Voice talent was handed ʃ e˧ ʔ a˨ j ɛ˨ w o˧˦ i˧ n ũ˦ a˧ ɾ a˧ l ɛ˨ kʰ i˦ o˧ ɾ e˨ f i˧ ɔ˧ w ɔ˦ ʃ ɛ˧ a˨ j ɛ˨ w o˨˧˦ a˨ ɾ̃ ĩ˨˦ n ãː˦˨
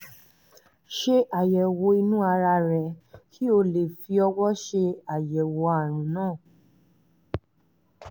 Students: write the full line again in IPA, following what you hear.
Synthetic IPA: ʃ e˧ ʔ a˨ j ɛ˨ w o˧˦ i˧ n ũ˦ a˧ ɾ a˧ ɾ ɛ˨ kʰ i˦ o˧ l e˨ f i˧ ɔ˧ w ɔ˦ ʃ e˧ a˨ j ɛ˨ w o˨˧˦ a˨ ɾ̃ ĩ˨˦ n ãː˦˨